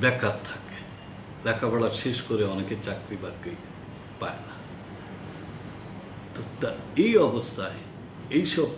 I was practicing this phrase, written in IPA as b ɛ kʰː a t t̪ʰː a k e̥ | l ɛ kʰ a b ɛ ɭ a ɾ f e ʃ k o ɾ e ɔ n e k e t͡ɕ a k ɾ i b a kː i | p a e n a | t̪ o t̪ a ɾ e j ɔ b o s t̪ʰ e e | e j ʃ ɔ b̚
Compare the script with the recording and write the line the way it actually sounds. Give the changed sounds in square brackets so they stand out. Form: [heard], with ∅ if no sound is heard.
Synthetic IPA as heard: b ɛ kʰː a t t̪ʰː a k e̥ | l ɛ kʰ a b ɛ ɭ a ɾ [ʃ] e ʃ k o ɾ e ɔ n e k e t͡ɕ a k ɾ i b a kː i | p a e n a | t̪ o t̪ a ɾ e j ɔ b o s t̪ʰ [a] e | e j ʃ ɔ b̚